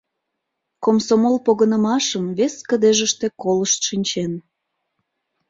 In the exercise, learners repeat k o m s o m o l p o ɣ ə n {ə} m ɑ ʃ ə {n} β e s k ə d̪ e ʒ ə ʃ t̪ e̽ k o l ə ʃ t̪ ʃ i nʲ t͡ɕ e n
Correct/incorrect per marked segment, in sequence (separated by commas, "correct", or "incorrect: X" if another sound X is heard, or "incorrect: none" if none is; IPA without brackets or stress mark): correct, incorrect: m